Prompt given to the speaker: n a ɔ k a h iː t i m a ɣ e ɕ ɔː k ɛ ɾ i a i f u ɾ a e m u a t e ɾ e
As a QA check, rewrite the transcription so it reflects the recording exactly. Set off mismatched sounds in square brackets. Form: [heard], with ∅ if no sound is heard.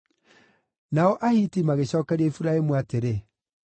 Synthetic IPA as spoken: n a ɔ [ʔ] a h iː t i m a ɣ e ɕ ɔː k ɛ ɾ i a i f u ɾ a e m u a t e ɾ e